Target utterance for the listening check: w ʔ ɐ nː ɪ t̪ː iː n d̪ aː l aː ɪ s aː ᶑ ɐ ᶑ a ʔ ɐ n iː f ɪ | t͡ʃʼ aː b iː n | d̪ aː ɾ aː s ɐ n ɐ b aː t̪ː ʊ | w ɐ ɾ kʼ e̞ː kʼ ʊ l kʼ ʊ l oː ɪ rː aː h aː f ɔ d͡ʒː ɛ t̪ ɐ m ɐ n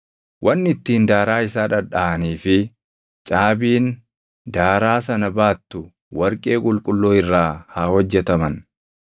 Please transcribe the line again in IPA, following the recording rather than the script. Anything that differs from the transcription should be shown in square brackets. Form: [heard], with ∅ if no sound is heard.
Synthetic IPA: w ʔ ɐ nː ɪ t̪ː iː n d̪ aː [ɾ] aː ɪ s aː ᶑ ɐ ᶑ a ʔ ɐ n iː f ɪ | t͡ʃʼ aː b iː n | d̪ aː ɾ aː s ɐ n ɐ b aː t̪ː ʊ | w ɐ ɾ kʼ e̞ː kʼ ʊ l kʼ ʊ [lː] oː ɪ rː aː h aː [h] ɔ d͡ʒː ɛ t̪ ɐ m ɐ n

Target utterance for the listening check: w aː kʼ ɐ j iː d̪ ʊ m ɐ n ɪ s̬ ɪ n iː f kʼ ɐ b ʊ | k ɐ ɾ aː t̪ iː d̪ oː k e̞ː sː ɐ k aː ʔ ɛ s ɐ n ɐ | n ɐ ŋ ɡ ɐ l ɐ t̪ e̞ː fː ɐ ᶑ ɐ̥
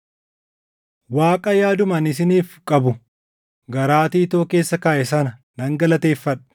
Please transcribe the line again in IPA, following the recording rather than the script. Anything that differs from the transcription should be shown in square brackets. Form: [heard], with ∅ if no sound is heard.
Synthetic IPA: w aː kʼ ɐ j [aː] d̪ ʊ m ɐ n ɪ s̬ ɪ n iː f kʼ ɐ b ʊ | [ɡ] ɐ ɾ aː t̪ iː [t̪] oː k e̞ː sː ɐ k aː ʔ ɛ s ɐ n ɐ | n ɐ ŋ ɡ ɐ l ɐ t̪ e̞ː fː ɐ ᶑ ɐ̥

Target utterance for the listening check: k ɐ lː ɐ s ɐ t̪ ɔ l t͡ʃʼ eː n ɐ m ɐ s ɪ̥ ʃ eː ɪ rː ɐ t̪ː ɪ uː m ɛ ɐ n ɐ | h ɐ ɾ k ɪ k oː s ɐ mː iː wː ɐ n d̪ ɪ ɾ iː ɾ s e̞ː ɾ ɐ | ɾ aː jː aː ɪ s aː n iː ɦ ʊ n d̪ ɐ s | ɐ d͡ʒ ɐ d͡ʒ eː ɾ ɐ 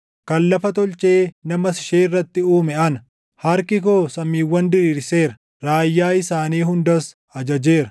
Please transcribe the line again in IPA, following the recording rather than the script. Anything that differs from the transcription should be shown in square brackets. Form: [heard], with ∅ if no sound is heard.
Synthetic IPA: k ɐ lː ɐ [f] ɐ t̪ ɔ l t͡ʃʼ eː n ɐ m ɐ s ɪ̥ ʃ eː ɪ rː ɐ t̪ː ɪ uː m ɛ ɐ n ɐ | h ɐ ɾ k ɪ k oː s ɐ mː iː wː ɐ n d̪ ɪ ɾ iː ɾ s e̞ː ɾ ɐ | ɾ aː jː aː ɪ s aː n iː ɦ ʊ n d̪ ɐ s | ɐ d͡ʒ ɐ d͡ʒ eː ɾ ɐ

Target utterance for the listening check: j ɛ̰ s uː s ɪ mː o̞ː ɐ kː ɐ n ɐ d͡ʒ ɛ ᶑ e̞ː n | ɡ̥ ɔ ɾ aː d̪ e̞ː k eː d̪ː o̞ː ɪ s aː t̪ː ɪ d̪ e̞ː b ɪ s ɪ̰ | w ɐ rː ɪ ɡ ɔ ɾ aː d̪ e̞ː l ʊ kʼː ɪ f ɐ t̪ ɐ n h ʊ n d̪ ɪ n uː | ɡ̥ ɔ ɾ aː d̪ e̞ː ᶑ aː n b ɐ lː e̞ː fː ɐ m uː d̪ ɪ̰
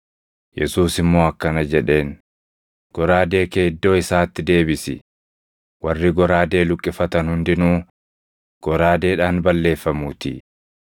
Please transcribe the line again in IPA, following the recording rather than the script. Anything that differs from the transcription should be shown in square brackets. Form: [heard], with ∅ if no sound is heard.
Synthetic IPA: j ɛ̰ s uː s ɪ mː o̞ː ɐ kː ɐ n ɐ d͡ʒ ɛ ᶑ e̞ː n | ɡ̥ ɔ ɾ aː d̪ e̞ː k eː d̪ː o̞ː ɪ s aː t̪ː ɪ d̪ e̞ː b ɪ s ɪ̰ | w ɐ rː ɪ ɡ ɔ ɾ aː d̪ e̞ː l ʊ kʼː ɪ f ɐ t̪ ɐ n h ʊ n d̪ ɪ n uː | ɡ̥ ɔ ɾ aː d̪ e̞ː ᶑ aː n b ɐ lː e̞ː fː ɐ m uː [t̪] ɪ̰

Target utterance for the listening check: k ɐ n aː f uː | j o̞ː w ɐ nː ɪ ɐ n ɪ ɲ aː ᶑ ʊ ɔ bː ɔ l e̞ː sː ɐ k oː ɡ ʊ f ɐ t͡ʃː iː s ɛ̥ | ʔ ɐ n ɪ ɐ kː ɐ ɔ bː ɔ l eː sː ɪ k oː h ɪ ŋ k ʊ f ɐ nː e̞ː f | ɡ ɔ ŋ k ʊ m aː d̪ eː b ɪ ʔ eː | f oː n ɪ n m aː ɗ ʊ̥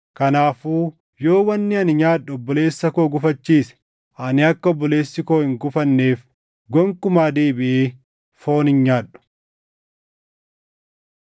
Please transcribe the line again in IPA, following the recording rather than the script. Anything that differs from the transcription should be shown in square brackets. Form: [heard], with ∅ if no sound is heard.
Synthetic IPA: k ɐ n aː f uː | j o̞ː w ɐ nː ɪ ɐ n ɪ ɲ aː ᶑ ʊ ɔ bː ɔ l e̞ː sː ɐ k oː ɡ ʊ f ɐ t͡ʃː iː s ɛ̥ | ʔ ɐ n ɪ ɐ kː ɐ ɔ bː ɔ l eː sː ɪ k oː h ɪ ŋ [ɡ] ʊ f ɐ nː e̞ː f | ɡ ɔ ŋ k ʊ m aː d̪ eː b ɪ ʔ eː | f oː n ɪ n [ɲ] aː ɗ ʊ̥

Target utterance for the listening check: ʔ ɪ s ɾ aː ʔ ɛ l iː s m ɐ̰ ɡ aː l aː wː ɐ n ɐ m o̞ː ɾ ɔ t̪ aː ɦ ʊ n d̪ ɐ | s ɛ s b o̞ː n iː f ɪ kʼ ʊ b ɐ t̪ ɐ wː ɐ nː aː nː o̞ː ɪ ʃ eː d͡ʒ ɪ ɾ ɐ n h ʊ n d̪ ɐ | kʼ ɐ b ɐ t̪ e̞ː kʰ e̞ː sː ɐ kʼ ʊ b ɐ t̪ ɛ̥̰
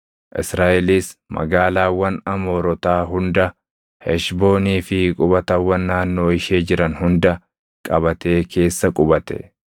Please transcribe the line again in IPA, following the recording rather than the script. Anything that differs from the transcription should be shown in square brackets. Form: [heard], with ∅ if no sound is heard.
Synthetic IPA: ʔ ɪ s ɾ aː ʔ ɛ l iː s m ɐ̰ ɡ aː l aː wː ɐ n ɐ m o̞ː ɾ ɔ t̪ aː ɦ ʊ n d̪ ɐ | [h] ɛ [ʃ] b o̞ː n iː f ɪ kʼ ʊ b ɐ t̪ ɐ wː ɐ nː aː nː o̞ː ɪ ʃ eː d͡ʒ ɪ ɾ ɐ n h ʊ n d̪ ɐ | kʼ ɐ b ɐ t̪ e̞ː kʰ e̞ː sː ɐ kʼ ʊ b ɐ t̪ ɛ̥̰

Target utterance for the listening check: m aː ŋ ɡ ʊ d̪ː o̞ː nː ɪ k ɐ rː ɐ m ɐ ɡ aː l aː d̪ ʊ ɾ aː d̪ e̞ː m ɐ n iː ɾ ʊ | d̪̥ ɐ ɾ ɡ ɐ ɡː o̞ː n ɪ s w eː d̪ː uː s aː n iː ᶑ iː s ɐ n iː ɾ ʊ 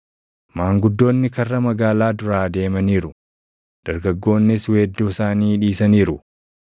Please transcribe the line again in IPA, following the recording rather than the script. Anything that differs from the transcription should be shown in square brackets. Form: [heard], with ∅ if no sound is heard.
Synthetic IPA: m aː ŋ ɡ ʊ d̪ː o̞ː nː ɪ k ɐ rː ɐ m ɐ ɡ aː l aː d̪ ʊ ɾ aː d̪ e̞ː m ɐ n iː ɾ ʊ | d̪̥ ɐ ɾ ɡ ɐ ɡː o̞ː [nː] ɪ s w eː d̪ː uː s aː n iː ᶑ iː s ɐ n iː ɾ ʊ

